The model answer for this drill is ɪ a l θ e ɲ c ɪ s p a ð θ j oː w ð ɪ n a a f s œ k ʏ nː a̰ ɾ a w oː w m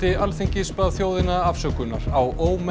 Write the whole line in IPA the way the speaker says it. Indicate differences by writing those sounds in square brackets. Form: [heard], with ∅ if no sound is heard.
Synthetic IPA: ɪ a l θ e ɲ c ɪ s p a ð θ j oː w ð ɪ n a a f s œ k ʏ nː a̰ ɾ a w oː w m